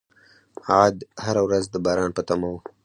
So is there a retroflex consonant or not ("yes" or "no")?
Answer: no